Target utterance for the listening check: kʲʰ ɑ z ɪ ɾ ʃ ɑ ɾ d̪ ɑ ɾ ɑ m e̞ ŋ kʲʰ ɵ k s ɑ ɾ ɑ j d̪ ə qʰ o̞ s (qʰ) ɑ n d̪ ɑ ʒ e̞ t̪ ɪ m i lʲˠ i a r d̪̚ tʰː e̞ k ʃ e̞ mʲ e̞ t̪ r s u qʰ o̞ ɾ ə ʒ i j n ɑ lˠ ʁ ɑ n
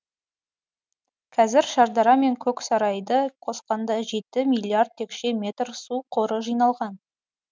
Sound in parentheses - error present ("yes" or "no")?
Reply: yes